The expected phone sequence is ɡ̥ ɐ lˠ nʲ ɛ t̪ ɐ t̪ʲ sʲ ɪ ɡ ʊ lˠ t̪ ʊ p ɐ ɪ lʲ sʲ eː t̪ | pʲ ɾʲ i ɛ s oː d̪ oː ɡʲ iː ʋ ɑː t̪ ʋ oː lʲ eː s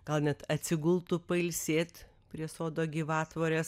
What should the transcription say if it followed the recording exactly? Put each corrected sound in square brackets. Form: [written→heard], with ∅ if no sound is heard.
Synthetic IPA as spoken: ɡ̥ ɐ lˠ nʲ ɛ t̪ ɐ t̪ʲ sʲ ɪ ɡ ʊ lˠ t̪ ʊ p ɐ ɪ lʲ sʲ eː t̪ | pʲ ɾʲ i ɛ s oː d̪ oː ɡʲ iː ʋ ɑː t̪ ʋ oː [lʲ→ɾʲ] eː s